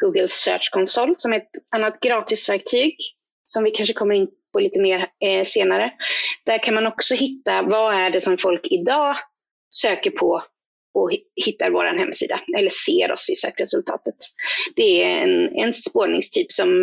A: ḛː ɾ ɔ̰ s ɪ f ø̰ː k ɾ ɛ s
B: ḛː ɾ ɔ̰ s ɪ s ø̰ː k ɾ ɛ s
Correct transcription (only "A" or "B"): B